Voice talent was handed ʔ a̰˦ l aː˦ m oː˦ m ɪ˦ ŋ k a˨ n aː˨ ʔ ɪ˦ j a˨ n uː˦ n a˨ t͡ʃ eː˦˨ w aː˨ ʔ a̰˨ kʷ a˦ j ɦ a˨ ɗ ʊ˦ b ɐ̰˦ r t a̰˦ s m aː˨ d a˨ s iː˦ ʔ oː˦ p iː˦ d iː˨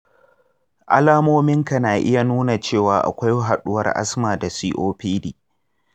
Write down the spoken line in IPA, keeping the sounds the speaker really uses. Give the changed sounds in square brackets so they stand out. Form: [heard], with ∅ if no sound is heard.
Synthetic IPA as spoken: ʔ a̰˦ l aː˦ m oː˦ m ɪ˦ ŋ k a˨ n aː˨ ʔ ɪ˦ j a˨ n uː˦ n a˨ t͡ʃ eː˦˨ w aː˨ ʔ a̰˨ kʷ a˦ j ɦ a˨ ɗ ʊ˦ [w] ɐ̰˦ r [ʔ] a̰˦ s m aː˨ d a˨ s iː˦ ʔ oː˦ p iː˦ d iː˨